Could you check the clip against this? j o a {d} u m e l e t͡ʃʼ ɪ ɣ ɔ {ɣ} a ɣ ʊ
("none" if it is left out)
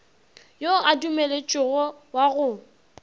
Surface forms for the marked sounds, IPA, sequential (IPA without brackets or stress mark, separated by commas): d, w